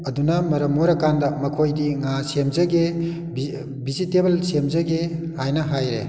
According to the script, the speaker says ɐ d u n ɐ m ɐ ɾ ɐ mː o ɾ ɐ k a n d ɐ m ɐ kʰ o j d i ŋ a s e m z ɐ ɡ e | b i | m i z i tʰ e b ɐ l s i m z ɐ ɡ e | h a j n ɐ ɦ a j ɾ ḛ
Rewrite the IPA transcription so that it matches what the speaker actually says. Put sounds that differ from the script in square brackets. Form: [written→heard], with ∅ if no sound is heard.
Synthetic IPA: ɐ d u n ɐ m ɐ ɾ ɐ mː o ɾ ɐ k a n d ɐ m ɐ kʰ o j d i ŋ a s e m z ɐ ɡ e | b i | [m→b] i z i [tʰ→t] e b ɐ l s [i→e] m z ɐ ɡ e | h a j n ɐ ɦ a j ɾ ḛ